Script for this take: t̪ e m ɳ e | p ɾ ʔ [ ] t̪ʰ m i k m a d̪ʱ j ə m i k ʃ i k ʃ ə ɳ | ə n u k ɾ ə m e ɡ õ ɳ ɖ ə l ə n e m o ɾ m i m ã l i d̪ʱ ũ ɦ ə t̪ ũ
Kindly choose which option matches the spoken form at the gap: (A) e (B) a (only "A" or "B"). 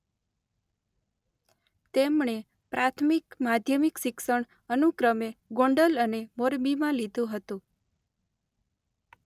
B